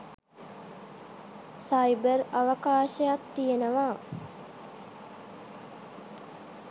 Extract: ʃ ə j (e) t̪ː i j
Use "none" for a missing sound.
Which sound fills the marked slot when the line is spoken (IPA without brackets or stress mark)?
a